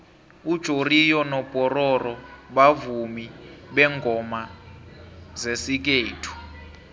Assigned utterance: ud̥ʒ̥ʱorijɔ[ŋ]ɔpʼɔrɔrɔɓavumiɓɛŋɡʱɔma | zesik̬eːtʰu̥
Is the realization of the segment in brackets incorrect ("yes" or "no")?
yes